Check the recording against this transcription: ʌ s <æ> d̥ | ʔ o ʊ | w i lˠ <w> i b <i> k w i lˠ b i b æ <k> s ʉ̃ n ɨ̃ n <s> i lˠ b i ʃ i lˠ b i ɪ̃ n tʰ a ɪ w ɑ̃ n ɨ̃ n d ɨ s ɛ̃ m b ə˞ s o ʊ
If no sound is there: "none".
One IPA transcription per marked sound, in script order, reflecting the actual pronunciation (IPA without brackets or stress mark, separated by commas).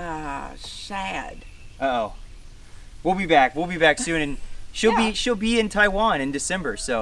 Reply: æ, b, æ, k, ʃ